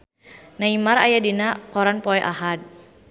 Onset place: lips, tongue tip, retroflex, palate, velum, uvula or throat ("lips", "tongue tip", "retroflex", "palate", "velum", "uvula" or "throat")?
tongue tip